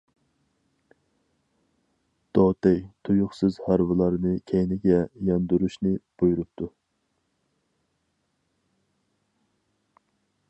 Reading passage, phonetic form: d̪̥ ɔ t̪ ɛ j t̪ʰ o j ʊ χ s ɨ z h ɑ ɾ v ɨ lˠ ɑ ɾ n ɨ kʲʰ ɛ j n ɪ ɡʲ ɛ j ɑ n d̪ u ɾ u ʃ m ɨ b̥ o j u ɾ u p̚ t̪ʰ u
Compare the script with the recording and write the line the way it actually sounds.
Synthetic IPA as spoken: d̪̥ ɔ t̪ ɛ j t̪ʰ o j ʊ χ s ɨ z h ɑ ɾ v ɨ lˠ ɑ ɾ n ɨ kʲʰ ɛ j n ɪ ɡʲ ɛ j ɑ n d̪ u ɾ u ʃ n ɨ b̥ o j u ɾ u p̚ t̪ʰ u